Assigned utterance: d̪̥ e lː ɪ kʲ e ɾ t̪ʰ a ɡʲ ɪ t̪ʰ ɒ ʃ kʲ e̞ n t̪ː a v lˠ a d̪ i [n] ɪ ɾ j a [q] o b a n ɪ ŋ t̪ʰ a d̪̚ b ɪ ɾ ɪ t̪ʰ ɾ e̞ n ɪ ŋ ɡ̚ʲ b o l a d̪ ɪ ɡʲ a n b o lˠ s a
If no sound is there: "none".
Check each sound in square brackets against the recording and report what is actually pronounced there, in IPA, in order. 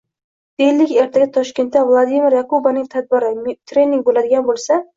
m, k

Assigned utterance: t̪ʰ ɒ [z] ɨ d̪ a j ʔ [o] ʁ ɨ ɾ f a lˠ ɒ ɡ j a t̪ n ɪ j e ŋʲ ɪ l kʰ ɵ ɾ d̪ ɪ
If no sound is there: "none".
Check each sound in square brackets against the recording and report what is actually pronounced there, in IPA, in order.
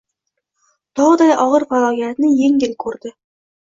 ʁ, ɒ

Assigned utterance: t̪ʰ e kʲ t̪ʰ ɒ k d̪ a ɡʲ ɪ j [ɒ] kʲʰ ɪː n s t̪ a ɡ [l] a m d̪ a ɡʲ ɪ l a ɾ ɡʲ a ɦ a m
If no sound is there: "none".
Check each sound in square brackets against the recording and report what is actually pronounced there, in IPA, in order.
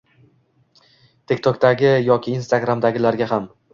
ɒ, ɾ

